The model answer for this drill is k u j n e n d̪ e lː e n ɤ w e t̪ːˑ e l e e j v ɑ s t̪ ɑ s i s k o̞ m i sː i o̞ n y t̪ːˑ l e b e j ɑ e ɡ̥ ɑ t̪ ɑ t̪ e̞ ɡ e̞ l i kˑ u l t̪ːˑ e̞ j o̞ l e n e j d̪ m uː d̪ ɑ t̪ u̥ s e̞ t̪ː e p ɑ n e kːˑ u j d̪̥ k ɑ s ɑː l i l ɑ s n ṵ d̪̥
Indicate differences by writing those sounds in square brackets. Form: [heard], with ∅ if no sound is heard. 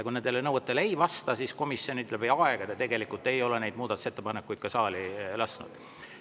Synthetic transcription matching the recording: k u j n e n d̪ e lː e n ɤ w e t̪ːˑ e l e e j v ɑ s t̪ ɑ s i s k o̞ m i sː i o̞ n y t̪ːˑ l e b e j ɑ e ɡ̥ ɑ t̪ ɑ t̪ e̞ ɡ e̞ l i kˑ u l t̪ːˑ e̞ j o̞ l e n e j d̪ m uː d̪ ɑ t̪ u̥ s e̞ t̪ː e p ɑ n e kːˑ u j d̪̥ k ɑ s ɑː l i l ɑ s n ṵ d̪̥